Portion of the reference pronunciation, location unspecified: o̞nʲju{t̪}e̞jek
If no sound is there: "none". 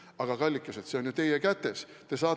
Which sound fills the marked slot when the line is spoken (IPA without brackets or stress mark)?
t̪